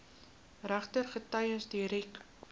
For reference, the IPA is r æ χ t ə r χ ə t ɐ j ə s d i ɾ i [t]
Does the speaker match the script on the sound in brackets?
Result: no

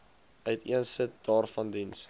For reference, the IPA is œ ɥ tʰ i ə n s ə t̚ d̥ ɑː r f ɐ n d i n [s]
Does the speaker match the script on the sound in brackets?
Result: yes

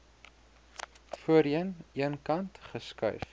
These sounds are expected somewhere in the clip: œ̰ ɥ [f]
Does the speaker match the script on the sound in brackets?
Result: yes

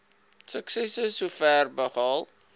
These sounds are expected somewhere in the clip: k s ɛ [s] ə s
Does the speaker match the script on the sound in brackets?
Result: yes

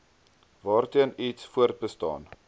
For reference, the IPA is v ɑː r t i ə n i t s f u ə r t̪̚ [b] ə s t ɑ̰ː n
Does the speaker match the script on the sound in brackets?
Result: yes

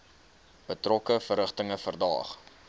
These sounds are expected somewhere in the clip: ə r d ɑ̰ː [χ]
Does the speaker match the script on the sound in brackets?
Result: yes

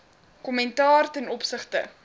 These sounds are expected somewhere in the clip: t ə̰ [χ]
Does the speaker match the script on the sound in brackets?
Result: no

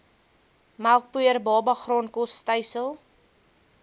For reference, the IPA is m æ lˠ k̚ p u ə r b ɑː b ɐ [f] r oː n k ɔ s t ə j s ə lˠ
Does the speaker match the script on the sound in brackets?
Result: no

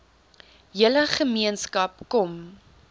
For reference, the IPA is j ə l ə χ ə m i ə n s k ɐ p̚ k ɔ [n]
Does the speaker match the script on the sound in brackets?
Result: no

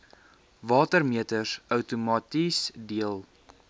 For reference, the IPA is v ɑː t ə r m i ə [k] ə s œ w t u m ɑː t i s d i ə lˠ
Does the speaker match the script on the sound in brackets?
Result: no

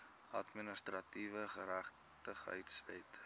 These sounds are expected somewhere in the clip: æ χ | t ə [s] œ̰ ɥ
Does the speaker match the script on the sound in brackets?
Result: no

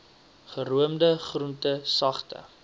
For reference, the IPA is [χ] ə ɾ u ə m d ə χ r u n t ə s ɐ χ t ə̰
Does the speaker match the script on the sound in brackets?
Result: yes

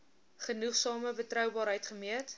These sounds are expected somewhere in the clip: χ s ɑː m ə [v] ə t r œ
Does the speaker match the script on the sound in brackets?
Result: no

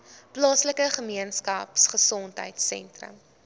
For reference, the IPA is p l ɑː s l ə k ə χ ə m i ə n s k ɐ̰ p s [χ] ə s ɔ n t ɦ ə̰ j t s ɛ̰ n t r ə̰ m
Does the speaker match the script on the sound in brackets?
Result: yes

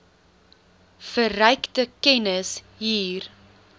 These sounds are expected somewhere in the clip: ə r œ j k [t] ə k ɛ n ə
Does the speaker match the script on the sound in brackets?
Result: yes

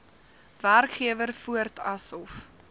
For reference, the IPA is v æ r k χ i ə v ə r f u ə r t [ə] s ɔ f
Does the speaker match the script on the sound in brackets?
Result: no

